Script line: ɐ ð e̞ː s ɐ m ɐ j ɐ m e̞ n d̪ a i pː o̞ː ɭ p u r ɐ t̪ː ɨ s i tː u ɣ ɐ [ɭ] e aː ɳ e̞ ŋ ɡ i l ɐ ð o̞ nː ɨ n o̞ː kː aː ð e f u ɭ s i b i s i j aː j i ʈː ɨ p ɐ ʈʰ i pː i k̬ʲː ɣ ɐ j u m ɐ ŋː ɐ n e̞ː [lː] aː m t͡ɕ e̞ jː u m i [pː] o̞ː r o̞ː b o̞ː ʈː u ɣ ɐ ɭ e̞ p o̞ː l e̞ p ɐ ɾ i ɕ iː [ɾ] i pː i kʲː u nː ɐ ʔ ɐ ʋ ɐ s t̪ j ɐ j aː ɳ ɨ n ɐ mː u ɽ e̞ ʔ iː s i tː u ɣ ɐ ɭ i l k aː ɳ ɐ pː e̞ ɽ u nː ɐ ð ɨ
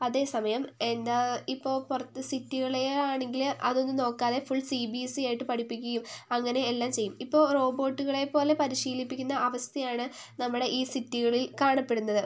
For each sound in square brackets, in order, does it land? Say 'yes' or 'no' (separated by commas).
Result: yes, yes, yes, no